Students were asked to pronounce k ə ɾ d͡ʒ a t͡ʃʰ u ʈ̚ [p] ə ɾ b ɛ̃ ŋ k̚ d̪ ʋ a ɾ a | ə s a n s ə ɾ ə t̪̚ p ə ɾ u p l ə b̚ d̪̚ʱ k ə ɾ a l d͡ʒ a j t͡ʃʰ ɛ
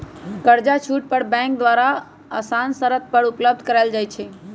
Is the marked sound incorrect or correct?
correct